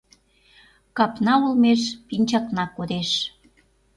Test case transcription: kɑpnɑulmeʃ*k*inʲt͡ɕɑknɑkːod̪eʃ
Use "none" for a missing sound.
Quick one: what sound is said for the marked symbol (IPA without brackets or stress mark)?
p